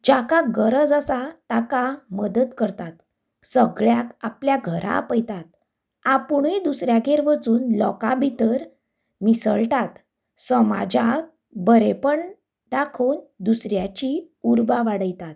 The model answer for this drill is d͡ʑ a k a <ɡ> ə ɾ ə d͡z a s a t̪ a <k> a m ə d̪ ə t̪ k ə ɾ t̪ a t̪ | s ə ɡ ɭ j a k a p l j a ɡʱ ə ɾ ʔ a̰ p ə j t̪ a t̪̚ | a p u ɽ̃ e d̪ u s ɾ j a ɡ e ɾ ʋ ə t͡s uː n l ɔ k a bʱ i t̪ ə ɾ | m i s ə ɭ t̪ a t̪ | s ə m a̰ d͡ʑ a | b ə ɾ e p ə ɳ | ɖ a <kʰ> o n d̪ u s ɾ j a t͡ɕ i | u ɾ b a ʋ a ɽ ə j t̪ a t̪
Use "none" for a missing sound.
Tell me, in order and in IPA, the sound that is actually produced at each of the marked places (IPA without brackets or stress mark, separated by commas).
ɡ, k, kʰ